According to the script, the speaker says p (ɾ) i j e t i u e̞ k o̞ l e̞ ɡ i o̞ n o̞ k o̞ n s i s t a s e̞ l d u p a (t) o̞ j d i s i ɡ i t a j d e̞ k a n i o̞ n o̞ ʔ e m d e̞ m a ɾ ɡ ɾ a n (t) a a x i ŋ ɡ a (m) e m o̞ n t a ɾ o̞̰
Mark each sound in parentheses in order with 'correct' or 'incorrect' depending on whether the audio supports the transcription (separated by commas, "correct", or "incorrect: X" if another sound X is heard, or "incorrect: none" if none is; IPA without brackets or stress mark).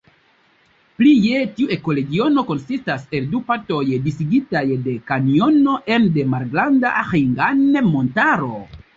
incorrect: l, correct, incorrect: d, incorrect: n